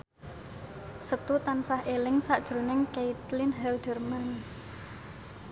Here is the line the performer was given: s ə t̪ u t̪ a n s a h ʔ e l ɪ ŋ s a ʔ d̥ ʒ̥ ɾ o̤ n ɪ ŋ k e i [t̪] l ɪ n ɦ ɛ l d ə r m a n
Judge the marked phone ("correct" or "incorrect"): correct